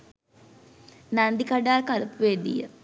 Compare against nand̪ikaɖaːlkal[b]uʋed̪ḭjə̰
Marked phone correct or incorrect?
incorrect